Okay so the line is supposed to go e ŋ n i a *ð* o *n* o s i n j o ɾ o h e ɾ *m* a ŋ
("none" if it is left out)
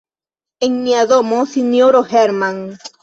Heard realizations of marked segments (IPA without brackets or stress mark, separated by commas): ð, m, m